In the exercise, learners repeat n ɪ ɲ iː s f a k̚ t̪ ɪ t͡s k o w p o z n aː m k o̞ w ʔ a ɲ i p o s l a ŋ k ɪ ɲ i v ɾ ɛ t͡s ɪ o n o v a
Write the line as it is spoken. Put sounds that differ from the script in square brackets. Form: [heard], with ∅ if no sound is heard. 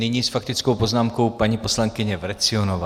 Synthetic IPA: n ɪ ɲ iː s f a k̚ t̪ ɪ t͡s k o w p o z n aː m k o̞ w [p] a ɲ i p o s l a ŋ k ɪ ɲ [ɛ] v ɾ ɛ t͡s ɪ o n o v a